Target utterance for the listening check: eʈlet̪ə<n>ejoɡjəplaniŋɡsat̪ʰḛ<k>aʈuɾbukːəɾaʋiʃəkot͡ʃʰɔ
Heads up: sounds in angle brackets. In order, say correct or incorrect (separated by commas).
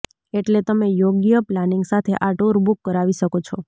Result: incorrect, incorrect